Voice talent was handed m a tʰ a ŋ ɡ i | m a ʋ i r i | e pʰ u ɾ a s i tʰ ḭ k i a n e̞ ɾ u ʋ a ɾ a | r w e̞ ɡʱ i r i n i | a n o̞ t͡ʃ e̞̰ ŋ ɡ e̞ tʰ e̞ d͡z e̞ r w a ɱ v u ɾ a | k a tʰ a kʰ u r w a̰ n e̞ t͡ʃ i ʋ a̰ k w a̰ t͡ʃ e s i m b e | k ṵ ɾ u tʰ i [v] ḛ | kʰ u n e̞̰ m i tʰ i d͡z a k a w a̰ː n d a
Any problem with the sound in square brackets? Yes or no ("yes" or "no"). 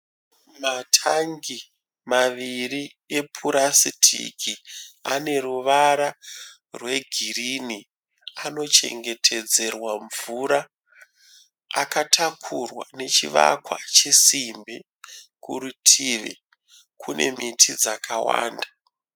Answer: yes